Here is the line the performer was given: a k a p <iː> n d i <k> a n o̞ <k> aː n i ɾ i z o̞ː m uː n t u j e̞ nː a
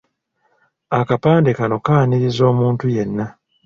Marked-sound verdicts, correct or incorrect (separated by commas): incorrect, correct, correct